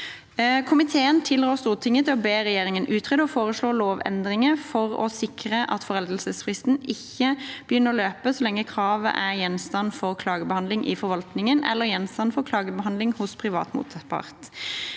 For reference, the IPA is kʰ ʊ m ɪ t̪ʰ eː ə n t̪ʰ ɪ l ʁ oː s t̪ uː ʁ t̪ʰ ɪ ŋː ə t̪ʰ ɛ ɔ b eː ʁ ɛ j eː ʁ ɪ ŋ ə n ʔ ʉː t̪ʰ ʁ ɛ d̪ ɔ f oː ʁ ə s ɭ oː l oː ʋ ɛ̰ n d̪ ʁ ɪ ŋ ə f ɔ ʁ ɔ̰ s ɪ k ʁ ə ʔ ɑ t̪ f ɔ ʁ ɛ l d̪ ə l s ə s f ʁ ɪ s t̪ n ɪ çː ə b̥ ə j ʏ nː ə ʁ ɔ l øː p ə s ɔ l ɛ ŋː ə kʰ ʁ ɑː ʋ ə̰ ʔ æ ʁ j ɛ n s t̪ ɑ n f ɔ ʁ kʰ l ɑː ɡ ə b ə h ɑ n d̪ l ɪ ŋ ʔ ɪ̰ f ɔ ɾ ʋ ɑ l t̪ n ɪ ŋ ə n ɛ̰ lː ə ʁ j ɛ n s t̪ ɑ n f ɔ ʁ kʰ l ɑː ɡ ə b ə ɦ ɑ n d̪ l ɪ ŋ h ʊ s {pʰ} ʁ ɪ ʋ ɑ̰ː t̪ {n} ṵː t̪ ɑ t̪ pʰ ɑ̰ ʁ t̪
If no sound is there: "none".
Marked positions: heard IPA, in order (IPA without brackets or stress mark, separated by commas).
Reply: pʰ, m